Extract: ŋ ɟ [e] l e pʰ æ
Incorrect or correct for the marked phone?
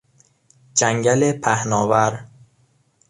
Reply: incorrect: æ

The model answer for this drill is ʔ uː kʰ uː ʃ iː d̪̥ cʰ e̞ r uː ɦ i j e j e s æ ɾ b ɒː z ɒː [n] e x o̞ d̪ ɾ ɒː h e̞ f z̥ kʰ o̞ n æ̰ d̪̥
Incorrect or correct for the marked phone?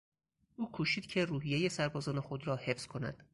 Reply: correct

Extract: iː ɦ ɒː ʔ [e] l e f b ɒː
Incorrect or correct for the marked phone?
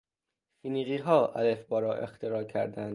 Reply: incorrect: æ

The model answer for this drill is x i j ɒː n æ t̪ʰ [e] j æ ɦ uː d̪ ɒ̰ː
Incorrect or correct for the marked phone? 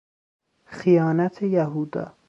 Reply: correct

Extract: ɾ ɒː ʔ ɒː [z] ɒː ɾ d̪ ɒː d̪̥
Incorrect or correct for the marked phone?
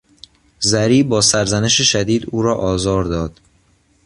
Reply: correct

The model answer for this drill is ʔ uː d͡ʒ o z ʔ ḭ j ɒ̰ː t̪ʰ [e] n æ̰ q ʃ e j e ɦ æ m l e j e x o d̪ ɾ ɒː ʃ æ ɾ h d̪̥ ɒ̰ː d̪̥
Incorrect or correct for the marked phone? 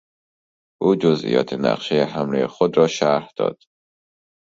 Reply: correct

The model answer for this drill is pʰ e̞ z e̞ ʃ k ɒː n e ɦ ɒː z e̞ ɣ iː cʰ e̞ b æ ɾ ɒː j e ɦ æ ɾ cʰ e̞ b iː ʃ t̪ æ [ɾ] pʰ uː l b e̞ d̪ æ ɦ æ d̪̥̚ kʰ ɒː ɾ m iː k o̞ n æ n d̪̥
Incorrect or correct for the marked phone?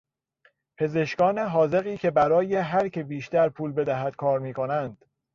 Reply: correct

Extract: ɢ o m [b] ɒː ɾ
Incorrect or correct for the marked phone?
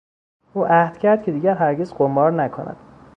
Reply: correct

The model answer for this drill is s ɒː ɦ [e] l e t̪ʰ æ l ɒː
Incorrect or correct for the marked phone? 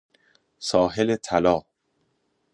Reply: correct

